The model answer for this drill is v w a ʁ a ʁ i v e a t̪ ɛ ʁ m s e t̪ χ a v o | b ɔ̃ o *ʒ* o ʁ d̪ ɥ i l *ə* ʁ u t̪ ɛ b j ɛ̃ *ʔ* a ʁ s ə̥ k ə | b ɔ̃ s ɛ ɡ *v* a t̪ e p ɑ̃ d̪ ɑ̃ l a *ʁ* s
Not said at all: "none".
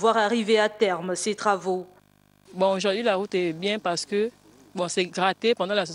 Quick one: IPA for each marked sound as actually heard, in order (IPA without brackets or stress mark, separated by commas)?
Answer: ʒ, a, p, ʁ, none